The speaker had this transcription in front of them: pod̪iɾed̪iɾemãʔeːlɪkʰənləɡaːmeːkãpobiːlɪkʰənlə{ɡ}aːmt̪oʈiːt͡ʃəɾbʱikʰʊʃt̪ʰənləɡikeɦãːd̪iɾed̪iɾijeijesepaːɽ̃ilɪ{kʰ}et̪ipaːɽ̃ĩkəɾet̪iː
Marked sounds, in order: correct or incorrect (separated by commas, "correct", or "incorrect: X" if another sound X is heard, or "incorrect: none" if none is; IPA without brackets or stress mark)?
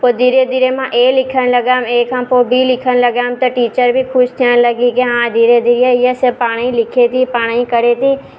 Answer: correct, correct